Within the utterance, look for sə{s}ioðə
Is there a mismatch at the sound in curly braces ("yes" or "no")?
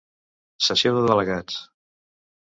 no